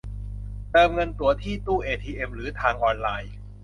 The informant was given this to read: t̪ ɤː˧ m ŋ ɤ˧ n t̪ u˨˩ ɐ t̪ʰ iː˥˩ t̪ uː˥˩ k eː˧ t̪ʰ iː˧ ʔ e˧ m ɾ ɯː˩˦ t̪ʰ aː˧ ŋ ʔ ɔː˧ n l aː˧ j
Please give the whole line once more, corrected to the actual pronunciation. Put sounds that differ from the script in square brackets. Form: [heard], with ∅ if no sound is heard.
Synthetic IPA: t̪ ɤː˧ m ŋ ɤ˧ n t̪ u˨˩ ɐ t̪ʰ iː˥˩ t̪ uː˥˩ [ʔ] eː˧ t̪ʰ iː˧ ʔ e˧ m ɾ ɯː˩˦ t̪ʰ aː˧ ŋ ʔ ɔː˧ n l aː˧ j